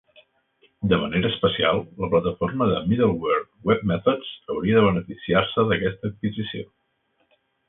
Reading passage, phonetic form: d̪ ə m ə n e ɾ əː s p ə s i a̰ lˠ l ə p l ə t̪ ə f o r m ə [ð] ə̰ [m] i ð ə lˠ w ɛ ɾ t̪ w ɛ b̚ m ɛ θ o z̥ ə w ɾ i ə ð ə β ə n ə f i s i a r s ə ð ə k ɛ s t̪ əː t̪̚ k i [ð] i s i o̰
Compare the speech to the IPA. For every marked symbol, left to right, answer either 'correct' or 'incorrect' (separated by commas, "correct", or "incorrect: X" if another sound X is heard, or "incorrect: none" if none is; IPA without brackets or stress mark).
correct, correct, incorrect: z